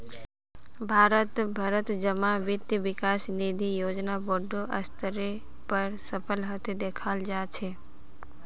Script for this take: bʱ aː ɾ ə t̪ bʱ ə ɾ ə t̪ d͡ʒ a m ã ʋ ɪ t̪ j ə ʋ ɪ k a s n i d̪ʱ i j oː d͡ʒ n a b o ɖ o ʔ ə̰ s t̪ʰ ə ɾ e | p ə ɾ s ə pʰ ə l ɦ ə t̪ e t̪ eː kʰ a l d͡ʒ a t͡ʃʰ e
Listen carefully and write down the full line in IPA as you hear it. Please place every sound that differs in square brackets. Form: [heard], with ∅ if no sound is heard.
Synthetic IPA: bʱ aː ɾ ə t̪ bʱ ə ɾ ə t̪ d͡ʒ [ə] m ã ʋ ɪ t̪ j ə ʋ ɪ k a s n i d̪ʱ i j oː d͡ʒ n a b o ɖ o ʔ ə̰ s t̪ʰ ə ɾ e | p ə ɾ s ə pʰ ə l ɦ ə t̪ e [d̪] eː kʰ a l d͡ʒ a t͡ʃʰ e